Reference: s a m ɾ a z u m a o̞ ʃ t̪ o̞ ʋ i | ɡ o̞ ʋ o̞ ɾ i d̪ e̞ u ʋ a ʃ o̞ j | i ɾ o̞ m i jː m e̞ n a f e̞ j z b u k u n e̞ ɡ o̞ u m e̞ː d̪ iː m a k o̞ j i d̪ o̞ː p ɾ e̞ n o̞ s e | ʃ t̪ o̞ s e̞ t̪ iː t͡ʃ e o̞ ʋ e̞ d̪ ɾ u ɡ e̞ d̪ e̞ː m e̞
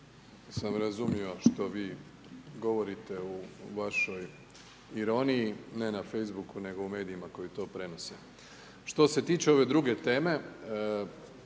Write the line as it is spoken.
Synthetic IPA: s a m ɾ a z u m i o̞ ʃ t̪ o̞ ʋ iː | ɡ o̞ ʋ o̞ ɾ i t̪ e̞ u ʋ a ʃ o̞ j | i ɾ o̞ n i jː n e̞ n a f e̞ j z b u k u n e̞ ɡ o̞ u m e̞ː d̪ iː m a k o̞ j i t̪ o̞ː p ɾ e̞ n o̞ s e | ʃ t̪ o̞ s e̞ t̪ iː t͡ʃ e o̞ ʋ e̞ d̪ ɾ u ɡ e̞ t̪ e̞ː m e̞